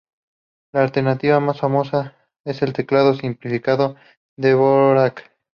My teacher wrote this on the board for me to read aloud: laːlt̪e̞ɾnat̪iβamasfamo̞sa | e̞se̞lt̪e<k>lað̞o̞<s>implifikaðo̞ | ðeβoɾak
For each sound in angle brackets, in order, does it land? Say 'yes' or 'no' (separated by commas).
yes, yes